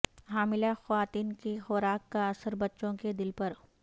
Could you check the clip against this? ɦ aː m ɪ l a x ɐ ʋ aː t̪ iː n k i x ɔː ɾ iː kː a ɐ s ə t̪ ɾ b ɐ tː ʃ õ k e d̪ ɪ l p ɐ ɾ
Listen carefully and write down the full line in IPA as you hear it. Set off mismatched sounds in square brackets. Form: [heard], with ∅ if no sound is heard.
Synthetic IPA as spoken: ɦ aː m ɪ l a x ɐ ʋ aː t̪ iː n k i x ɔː ɾ [aː] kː a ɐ s ə [∅] ɾ b ɐ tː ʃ õ k e d̪ ɪ l p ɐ ɾ